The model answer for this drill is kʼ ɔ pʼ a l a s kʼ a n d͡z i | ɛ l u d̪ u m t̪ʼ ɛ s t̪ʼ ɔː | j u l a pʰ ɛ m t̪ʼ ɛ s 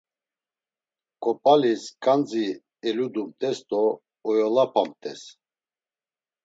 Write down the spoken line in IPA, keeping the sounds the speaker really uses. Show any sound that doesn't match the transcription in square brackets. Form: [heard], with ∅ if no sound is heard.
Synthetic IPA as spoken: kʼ ɔ pʼ a l [i] s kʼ a n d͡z i | ɛ l u d̪ u m t̪ʼ ɛ s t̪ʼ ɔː | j [ɔ] l a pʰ [a] m t̪ʼ ɛ s